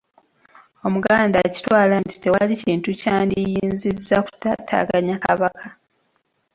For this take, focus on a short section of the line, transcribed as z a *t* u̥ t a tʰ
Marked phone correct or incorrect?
incorrect